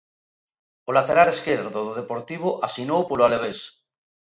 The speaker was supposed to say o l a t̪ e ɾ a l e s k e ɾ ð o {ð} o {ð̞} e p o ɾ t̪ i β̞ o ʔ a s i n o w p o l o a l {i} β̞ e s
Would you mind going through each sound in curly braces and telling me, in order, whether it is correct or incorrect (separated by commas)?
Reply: correct, correct, incorrect